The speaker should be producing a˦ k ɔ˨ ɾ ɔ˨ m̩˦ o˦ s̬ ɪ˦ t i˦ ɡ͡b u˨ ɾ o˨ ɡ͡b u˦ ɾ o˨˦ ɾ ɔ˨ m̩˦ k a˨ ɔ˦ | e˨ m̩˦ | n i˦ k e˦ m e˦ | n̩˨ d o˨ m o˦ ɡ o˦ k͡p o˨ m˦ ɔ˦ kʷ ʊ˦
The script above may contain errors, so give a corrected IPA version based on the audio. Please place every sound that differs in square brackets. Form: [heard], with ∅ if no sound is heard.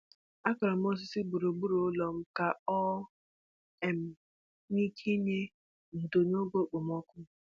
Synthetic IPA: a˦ k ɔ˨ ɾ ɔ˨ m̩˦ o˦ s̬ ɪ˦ [s] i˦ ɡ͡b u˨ ɾ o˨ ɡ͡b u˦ ɾ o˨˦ [l] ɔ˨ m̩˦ k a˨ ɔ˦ | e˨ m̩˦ | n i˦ k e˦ [ɲ] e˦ | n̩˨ d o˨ [n] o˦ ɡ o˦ k͡p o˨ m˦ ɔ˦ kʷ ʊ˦